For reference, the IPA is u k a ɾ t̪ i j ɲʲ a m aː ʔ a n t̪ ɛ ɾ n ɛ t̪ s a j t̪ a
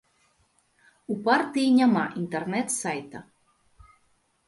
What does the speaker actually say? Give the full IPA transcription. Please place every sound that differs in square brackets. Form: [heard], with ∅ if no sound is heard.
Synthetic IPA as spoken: u [p] a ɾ t̪ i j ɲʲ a m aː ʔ [i] n t̪ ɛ ɾ n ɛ t̪ s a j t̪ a